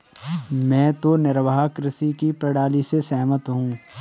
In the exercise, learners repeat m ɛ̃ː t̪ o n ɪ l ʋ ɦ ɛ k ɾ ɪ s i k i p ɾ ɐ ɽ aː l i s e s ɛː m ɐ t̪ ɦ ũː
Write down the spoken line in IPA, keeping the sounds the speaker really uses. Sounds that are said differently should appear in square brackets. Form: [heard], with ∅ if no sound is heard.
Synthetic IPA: m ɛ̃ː t̪ o n ɪ [ɾ] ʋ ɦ [a] k ɾ ɪ s i k i p ɾ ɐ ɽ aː l i s e s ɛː m [ə] t̪ ɦ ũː